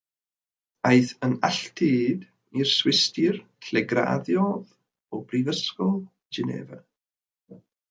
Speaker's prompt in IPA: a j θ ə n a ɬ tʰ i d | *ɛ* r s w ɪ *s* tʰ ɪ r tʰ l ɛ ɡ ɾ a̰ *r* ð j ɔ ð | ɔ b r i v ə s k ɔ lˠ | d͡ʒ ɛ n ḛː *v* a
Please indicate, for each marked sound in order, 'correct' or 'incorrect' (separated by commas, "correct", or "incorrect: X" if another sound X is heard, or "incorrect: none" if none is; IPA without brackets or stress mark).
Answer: incorrect: i, correct, incorrect: none, correct